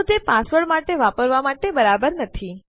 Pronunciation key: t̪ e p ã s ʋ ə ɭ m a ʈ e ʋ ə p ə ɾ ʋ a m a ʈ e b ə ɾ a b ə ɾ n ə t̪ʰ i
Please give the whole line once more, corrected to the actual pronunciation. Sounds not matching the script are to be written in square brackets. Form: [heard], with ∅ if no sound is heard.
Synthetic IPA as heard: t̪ e p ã s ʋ ə ɭ m a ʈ e ʋ [a] p ə ɾ ʋ a m a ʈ e b ə ɾ a b ə ɾ n ə t̪ʰ i